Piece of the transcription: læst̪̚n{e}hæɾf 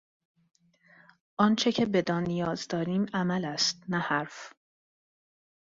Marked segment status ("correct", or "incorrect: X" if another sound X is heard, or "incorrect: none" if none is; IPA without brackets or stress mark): incorrect: æ